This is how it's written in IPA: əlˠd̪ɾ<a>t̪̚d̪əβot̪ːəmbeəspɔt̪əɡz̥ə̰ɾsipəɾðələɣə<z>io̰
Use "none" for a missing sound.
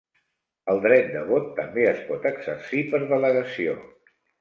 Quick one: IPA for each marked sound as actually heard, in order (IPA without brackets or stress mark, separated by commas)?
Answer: ɛ, s